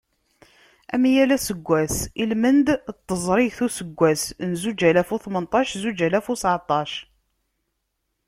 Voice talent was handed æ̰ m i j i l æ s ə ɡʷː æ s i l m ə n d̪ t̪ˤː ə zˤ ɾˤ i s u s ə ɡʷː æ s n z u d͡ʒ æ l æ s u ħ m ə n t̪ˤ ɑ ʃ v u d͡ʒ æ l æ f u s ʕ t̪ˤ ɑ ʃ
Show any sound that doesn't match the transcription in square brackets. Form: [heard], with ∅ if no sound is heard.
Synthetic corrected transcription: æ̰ m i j [æ] l æ s ə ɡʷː æ s i l m ə n d̪ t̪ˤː ə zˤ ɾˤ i [θ] u s ə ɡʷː æ s n z u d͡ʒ æ l æ [f] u [θ] m ə n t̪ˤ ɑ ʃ [z] u d͡ʒ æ l æ f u s ʕ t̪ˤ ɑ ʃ